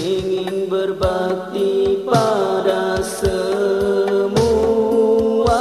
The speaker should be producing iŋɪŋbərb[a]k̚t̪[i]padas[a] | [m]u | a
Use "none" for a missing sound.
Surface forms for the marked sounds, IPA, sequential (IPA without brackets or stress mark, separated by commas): a, i, ə, m